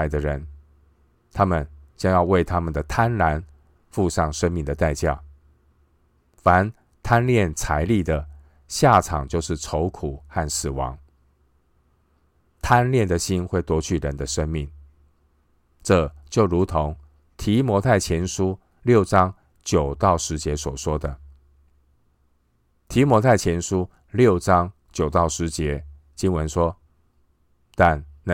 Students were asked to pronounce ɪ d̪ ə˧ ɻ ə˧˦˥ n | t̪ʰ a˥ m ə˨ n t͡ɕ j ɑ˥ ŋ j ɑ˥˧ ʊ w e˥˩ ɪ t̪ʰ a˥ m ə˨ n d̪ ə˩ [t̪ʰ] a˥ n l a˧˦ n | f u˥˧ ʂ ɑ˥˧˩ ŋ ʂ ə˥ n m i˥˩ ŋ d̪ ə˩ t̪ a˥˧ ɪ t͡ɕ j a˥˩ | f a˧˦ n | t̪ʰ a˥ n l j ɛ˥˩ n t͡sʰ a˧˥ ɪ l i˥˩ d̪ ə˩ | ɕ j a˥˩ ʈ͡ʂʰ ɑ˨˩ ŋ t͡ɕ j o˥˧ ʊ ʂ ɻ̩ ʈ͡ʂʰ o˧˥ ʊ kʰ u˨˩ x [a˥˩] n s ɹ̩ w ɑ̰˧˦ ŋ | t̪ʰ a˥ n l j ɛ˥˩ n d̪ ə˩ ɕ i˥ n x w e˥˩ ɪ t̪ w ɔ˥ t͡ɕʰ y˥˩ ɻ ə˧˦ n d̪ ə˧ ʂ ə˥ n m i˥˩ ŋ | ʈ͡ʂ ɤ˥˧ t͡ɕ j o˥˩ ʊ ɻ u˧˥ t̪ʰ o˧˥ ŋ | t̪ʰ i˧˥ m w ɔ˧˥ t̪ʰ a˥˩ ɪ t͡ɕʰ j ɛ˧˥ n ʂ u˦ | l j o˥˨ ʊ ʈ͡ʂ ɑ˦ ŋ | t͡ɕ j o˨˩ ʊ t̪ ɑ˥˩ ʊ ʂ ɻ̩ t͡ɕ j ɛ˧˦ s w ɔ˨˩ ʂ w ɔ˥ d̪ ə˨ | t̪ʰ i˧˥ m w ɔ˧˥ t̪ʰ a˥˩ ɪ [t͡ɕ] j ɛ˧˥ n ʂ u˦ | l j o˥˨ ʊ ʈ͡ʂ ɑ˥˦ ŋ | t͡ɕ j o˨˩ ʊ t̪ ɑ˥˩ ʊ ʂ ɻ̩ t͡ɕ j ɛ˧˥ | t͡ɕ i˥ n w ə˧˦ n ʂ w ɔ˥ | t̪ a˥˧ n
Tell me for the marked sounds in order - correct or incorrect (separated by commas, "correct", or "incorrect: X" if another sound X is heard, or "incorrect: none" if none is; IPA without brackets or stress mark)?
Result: correct, correct, incorrect: t͡ɕʰ